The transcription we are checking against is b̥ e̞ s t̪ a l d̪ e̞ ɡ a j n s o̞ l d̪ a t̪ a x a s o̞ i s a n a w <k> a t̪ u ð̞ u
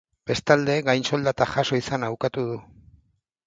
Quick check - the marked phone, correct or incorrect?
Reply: correct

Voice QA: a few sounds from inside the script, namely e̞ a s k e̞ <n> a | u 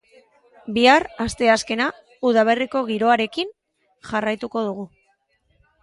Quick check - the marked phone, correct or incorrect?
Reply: correct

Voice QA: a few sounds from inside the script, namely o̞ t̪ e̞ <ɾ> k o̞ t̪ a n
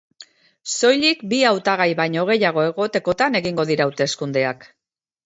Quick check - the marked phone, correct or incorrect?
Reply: incorrect: none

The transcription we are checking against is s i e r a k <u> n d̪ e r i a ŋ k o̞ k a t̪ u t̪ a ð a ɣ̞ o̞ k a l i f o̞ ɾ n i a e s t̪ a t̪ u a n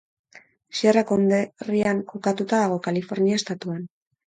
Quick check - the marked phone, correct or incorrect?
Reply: incorrect: o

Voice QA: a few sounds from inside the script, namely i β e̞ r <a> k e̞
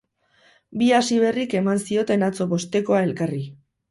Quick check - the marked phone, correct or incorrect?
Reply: incorrect: i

